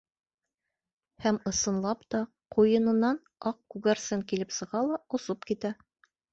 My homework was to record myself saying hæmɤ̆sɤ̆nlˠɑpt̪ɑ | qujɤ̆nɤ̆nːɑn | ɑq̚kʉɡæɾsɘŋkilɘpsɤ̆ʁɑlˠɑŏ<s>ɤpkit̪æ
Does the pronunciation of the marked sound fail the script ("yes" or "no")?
no